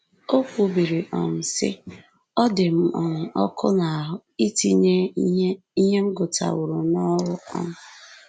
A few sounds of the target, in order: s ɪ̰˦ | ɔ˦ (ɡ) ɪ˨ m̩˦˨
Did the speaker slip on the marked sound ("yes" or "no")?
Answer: yes